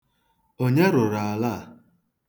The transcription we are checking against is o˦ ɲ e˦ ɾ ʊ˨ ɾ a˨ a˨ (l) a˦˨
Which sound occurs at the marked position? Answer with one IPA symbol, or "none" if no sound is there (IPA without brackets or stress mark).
l